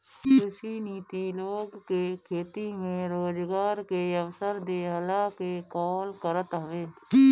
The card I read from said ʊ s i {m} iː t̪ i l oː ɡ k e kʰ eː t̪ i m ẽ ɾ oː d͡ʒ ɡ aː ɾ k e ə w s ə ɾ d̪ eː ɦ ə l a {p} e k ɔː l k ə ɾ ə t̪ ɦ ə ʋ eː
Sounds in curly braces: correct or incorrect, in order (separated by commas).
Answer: incorrect, incorrect